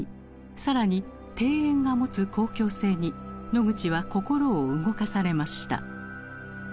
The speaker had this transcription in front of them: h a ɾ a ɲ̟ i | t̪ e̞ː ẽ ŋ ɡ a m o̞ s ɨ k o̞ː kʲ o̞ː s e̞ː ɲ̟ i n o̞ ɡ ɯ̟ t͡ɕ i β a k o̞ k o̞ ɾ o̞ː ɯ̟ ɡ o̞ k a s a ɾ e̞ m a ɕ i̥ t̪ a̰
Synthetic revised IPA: s a ɾ a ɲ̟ i | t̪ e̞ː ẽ ŋ ɡ a m o̞ t͡s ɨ k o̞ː kʲ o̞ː s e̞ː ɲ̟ i n o̞ ɡ ɯ̟ t͡ɕ i β a k o̞ k o̞ ɾ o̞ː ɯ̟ ɡ o̞ k a s a ɾ e̞ m a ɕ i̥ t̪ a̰